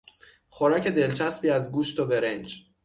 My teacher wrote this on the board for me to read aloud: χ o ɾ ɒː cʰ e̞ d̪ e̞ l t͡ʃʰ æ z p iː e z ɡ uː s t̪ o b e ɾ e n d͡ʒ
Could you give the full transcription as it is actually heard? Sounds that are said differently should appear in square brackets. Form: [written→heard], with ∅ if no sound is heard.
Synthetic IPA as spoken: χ o ɾ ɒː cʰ e̞ d̪ e̞ l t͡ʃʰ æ [z→s] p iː [e→æ] z ɡ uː [s→ʃ] t̪ o b e ɾ e n d͡ʒ